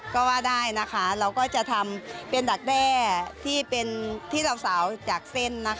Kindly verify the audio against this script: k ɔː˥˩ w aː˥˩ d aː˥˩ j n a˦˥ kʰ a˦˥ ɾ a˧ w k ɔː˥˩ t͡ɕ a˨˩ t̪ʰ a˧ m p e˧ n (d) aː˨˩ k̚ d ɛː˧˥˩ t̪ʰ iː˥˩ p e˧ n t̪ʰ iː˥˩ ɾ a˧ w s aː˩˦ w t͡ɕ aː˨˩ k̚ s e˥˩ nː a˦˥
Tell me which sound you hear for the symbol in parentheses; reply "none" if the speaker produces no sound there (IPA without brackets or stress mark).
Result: d